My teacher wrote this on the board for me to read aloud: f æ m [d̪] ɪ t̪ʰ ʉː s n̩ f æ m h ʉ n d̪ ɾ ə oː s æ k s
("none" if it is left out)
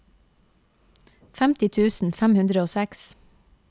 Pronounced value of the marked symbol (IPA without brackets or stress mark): t̪